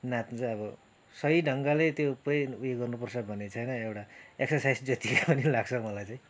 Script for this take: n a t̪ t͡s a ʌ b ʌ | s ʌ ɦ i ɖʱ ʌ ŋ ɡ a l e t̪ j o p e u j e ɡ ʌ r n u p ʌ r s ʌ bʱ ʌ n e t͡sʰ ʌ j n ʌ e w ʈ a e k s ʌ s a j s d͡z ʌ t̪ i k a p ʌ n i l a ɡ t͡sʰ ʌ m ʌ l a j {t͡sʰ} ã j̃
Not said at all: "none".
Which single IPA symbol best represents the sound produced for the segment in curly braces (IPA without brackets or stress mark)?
t͡s